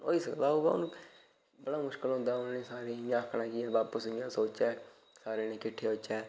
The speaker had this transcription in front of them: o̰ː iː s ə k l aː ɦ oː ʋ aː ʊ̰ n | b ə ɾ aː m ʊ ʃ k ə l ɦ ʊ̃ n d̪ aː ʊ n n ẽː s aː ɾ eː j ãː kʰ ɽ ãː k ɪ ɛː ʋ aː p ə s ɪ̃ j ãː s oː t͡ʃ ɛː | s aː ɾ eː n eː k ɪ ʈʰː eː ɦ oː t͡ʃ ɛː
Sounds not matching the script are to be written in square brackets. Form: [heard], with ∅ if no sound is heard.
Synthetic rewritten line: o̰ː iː s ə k l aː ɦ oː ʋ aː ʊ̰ n | b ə [ɽ] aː m ʊ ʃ k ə l ɦ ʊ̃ n d̪ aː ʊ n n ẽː s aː ɾ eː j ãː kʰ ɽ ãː k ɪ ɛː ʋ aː p ə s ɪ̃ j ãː s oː t͡ʃ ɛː | s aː ɾ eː n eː k ɪ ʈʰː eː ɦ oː t͡ʃ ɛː